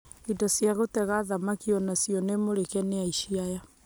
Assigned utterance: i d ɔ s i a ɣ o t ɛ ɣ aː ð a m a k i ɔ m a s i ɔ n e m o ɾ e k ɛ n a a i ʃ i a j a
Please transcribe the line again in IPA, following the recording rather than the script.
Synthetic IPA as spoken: i d ɔ s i a ɣ o t ɛ ɣ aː ð a m a k i ɔ n a s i ɔ n e m o ɾ e k ɛ n e a i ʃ i a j a